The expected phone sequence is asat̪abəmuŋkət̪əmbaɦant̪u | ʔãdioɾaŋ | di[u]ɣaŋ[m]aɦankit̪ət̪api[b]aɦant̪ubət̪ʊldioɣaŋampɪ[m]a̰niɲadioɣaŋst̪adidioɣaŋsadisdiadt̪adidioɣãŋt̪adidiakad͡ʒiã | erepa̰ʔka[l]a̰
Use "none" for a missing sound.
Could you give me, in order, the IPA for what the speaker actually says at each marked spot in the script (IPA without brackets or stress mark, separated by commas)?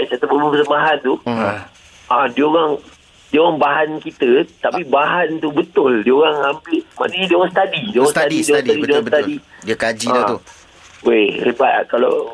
o, b, b, m, l